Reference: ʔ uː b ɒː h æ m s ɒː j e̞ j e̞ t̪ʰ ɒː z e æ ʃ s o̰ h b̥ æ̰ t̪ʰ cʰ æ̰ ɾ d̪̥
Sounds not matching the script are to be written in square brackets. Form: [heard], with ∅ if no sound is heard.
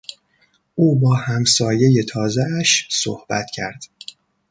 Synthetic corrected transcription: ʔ uː b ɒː h æ m s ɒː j e̞ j e̞ t̪ʰ ɒː z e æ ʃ s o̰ h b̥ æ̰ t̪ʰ cʰ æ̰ ɾ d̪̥